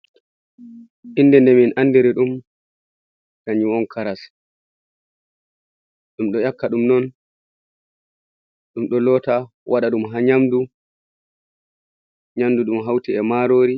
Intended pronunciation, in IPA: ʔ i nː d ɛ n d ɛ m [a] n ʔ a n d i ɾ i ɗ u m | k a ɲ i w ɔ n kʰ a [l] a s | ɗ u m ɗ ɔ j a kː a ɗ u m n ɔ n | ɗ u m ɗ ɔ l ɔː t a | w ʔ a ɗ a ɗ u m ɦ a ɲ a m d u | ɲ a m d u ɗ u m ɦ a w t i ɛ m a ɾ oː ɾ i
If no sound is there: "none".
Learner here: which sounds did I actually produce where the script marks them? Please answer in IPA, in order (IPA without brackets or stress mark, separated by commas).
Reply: i, ɾ